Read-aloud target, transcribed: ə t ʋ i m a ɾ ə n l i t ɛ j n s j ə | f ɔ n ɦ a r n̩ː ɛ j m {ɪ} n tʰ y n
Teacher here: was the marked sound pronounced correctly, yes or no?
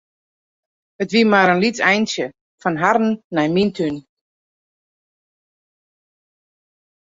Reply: no